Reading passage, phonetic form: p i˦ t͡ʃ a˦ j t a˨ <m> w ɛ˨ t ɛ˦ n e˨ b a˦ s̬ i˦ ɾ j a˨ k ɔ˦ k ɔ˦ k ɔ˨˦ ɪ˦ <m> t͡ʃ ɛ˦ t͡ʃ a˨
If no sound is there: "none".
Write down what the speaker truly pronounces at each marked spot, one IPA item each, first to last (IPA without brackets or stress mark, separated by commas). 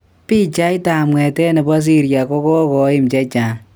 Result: m, m